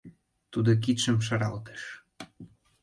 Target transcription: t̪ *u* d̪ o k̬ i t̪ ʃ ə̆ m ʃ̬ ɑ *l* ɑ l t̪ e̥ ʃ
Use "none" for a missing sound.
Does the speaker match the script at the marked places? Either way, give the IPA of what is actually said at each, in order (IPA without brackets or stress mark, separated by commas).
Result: u, ɾ